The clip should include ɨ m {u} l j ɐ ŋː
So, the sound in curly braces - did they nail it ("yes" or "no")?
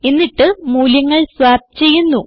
no